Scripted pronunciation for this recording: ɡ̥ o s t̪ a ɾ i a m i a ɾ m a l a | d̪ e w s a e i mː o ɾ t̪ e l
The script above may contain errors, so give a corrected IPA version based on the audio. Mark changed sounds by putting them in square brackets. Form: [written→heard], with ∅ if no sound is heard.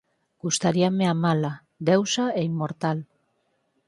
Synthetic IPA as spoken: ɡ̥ [o→u] s t̪ a ɾ i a m [i→e] a [ɾ→∅] m a l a | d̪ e w s a e i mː o ɾ t̪ [e→a] l